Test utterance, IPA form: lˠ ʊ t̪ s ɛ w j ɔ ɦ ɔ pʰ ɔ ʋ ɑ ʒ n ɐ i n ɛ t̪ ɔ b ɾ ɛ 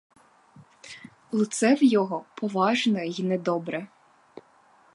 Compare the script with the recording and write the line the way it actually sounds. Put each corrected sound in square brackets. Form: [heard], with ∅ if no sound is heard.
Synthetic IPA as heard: lˠ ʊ t̪ s ɛ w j ɔ ɦ ɔ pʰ ɔ ʋ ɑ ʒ n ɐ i n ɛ [d̪] ɔ b ɾ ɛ